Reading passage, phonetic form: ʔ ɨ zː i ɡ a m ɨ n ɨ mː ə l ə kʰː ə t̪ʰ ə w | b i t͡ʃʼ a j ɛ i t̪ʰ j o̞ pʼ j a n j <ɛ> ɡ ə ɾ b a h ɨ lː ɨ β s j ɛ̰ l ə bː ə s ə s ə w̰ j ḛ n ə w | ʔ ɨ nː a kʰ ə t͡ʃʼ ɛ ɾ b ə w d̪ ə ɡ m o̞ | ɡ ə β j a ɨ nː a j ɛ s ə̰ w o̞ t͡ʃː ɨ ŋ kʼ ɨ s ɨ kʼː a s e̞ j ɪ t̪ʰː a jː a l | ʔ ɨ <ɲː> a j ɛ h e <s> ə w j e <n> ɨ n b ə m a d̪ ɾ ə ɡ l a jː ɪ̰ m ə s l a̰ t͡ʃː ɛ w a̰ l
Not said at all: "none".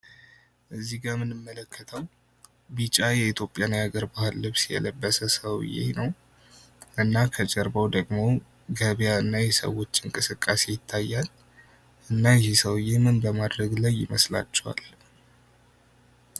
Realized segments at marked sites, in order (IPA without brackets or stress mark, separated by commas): a, nː, s, m